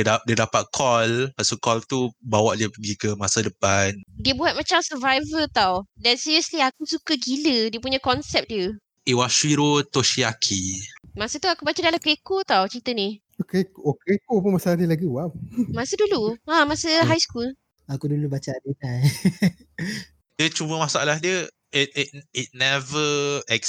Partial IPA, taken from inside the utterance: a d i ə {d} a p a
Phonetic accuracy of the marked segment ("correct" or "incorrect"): correct